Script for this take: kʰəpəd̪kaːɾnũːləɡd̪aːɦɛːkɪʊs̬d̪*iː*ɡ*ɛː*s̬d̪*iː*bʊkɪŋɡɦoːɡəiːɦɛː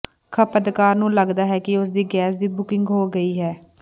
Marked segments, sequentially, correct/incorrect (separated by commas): correct, correct, correct